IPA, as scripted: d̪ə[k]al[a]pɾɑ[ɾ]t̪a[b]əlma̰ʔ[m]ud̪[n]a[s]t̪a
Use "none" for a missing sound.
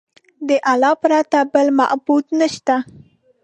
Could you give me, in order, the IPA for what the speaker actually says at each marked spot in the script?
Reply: ʔ, ɑ, none, b, b, n, ʃ

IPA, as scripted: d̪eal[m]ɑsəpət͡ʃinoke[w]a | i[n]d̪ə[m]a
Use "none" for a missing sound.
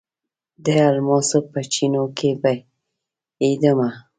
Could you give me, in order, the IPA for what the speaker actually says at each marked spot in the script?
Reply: m, b, none, m

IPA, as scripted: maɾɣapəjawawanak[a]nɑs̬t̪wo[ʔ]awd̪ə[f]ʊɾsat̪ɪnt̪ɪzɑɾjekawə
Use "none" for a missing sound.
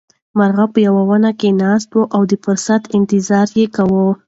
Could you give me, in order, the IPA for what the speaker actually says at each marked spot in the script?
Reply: e, ʔ, f

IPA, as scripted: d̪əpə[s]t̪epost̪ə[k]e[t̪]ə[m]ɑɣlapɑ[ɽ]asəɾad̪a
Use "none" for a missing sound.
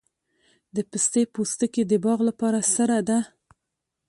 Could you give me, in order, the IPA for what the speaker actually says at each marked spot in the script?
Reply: s, k, d̪, b, ɾ

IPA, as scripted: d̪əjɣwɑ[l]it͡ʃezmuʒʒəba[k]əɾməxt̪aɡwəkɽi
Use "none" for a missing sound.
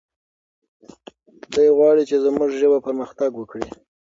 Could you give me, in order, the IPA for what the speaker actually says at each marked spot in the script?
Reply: ɽ, p

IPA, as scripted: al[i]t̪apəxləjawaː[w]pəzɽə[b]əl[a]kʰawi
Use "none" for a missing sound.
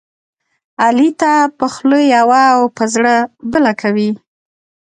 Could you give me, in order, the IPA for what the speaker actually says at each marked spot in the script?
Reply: i, w, b, a

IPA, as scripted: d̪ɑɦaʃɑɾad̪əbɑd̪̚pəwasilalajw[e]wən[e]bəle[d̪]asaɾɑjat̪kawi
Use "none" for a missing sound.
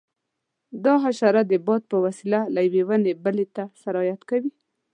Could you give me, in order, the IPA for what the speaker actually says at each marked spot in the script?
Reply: e, e, t̪

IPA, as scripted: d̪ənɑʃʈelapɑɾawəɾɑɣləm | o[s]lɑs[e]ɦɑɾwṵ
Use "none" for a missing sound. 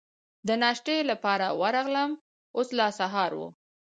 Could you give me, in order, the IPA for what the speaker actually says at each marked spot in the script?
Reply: s, a

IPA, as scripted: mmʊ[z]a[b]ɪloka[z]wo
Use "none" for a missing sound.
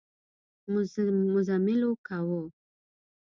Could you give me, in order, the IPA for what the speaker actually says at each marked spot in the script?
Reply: z, m, none

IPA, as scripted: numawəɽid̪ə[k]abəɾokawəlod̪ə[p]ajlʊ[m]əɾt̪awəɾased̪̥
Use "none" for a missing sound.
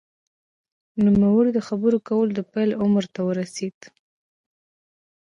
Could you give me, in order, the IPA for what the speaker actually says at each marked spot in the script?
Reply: x, p, m

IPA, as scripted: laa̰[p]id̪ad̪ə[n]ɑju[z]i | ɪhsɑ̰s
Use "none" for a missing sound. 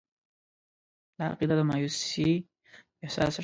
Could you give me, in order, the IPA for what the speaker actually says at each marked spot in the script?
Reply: q, m, s

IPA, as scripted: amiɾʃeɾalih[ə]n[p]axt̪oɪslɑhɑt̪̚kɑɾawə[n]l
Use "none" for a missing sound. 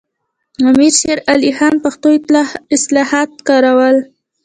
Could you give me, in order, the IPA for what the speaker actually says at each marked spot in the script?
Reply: ɑ, p, none

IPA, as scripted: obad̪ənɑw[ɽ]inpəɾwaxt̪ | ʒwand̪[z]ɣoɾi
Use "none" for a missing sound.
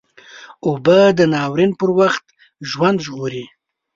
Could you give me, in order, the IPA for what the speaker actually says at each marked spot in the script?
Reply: ɾ, ʒ

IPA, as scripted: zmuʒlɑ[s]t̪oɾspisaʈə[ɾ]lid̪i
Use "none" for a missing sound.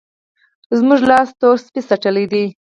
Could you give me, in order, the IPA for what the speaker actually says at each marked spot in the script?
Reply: s, none

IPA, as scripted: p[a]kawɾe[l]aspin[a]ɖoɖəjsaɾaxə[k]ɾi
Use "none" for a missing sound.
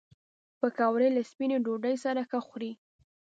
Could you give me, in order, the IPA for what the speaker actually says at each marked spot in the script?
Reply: ə, l, e, x

